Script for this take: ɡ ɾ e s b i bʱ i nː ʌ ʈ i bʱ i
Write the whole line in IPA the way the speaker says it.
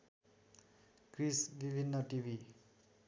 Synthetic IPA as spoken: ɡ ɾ i s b i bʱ i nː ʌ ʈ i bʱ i